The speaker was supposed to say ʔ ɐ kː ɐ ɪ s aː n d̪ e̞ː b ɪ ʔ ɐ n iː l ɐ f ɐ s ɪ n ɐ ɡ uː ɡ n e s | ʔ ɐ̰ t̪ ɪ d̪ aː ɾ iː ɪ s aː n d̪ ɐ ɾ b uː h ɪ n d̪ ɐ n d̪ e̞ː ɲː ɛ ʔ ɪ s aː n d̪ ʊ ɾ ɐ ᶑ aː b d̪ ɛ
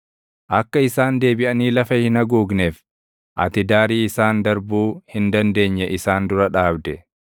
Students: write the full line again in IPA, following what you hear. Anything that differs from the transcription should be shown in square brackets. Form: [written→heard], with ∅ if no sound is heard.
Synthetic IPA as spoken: ʔ ɐ kː ɐ ɪ s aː n d̪ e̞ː b ɪ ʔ ɐ n iː l ɐ f ɐ [s→h] ɪ n ɐ ɡ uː ɡ n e [s→f] | ʔ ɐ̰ t̪ ɪ d̪ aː ɾ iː ɪ s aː n d̪ ɐ ɾ b uː h ɪ n d̪ ɐ n d̪ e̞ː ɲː ɛ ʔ ɪ s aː n d̪ ʊ ɾ ɐ ᶑ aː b d̪ ɛ